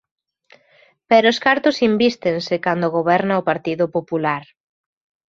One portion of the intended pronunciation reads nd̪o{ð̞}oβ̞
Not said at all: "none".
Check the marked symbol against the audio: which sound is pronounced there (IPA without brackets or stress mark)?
ɣ̞